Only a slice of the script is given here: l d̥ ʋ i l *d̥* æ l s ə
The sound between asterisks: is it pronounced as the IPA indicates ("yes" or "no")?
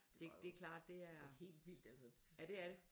yes